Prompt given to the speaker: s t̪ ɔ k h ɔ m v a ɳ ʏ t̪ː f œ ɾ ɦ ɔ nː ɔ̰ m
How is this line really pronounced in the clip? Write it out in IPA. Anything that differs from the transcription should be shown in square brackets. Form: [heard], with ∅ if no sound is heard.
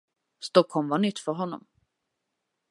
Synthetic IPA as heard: s t̪ ɔ k h ɔ m v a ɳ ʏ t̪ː f œ ɾ ɦ ɔ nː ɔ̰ m

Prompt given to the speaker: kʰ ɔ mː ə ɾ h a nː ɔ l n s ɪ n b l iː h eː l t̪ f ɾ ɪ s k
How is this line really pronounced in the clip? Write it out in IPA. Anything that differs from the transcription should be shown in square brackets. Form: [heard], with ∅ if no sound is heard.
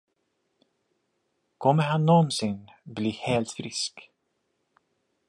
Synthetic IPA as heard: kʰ ɔ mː ə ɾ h a nː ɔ [∅] n s ɪ n b l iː h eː l t̪ f ɾ ɪ s k

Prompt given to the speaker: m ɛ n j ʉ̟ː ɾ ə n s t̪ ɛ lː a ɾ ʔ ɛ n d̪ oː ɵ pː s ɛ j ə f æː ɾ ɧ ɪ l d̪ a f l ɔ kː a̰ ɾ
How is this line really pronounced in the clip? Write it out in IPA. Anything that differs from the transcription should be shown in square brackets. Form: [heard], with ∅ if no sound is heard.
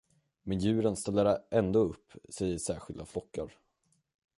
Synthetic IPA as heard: m ɛ n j ʉ̟ː ɾ ə n s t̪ ɛ lː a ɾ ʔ ɛ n d̪ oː ɵ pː s ɛ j ə [ʂ] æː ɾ ɧ ɪ l d̪ a f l ɔ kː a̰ ɾ

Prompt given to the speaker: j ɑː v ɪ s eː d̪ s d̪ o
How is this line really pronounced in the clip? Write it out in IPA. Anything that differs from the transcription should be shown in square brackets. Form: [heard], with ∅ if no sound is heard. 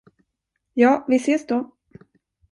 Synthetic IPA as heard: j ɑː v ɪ s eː [∅] s d̪ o

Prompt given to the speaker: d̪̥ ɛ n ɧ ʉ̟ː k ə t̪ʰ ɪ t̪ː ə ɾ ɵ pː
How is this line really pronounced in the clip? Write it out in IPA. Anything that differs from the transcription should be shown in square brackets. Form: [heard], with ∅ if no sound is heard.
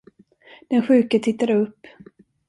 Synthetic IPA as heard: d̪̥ ɛ n ɧ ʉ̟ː k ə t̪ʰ ɪ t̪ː [a] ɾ ɵ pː

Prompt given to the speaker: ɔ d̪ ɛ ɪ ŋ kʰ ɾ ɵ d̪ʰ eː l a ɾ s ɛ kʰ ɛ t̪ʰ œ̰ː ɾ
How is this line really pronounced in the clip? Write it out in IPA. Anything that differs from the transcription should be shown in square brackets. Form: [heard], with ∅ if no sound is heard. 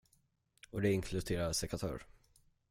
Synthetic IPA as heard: ɔ d̪ ɛ ɪ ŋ kʰ [l] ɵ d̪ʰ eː [ɾ] a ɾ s ɛ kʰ [a] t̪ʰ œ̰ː ɾ

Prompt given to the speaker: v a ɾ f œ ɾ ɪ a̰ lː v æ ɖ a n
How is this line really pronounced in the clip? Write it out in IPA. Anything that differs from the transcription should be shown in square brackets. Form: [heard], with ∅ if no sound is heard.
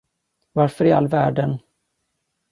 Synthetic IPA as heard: v a ɾ f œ ɾ ɪ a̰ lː v [æː] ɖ [ə] n

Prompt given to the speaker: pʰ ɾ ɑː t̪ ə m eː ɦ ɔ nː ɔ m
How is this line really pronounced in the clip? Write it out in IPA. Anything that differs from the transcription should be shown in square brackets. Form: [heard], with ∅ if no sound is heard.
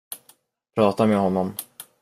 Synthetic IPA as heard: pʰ ɾ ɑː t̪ [a] m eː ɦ ɔ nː ɔ m

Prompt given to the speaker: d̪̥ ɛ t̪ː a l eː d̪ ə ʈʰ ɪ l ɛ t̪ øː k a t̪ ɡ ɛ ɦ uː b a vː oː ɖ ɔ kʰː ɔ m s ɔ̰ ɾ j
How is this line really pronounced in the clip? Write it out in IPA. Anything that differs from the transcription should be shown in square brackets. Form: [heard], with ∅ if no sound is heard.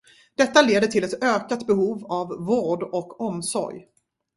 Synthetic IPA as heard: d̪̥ ɛ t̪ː a l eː d̪ ə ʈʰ ɪ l ɛ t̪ øː k a t̪ [b] ɛ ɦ uː [v] a vː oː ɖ ɔ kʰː ɔ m s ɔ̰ ɾ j

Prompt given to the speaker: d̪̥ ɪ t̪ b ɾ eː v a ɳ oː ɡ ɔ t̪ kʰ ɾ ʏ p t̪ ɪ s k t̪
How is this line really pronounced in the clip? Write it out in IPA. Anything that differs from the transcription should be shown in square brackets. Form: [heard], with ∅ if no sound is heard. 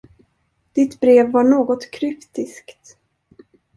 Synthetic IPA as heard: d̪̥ ɪ t̪ b ɾ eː [vː] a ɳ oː ɡ ɔ t̪ kʰ ɾ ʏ p t̪ ɪ s k t̪

